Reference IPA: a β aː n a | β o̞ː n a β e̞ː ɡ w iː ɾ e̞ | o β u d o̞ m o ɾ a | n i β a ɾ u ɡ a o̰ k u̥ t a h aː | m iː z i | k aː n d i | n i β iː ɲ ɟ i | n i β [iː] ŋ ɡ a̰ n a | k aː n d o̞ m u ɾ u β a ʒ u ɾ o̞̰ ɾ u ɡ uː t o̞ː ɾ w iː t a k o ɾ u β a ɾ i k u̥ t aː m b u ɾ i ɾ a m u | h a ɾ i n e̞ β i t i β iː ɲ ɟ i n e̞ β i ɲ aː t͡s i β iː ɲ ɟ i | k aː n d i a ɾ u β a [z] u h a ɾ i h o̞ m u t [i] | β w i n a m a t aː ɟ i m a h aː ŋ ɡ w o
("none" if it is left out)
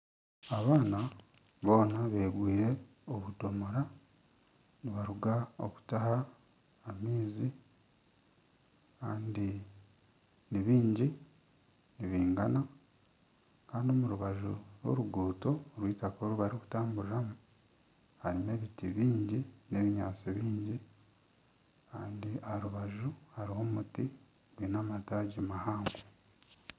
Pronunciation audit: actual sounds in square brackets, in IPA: iː, ʒ, i

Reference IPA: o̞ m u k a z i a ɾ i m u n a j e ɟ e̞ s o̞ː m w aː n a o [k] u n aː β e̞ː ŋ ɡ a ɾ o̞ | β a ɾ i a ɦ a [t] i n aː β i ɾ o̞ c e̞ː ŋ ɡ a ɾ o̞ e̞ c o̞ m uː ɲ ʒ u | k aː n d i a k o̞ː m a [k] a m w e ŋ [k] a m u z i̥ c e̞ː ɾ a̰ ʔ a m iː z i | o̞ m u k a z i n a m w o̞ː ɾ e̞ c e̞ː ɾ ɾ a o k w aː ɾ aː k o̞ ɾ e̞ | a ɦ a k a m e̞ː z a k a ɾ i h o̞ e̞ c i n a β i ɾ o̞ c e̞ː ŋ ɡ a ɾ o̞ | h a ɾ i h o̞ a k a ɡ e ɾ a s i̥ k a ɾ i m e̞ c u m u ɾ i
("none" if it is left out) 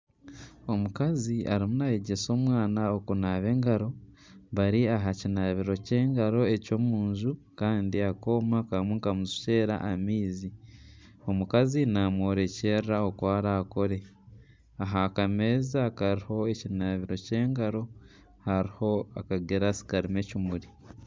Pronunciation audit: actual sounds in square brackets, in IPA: k, c, k, k

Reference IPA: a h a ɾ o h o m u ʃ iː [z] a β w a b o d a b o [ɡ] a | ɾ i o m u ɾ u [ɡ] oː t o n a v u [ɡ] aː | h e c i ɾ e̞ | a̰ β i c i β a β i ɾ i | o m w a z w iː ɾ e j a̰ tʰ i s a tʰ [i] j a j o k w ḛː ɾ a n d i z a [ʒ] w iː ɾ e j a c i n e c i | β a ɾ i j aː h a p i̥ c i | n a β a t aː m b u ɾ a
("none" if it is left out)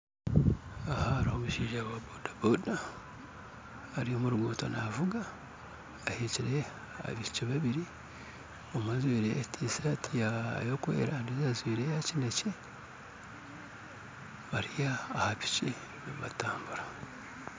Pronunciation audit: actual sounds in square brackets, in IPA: ʒ, d, ɡ, ɡ, i, z

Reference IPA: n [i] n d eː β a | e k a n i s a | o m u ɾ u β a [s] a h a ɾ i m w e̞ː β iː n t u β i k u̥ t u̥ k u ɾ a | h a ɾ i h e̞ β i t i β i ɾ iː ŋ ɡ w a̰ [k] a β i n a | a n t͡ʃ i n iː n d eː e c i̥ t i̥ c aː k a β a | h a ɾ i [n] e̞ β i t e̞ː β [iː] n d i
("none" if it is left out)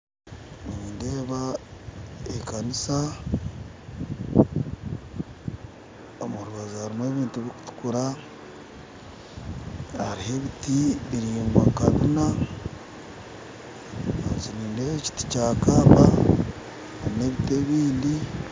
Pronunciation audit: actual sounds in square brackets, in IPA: iː, z, k, n, iː

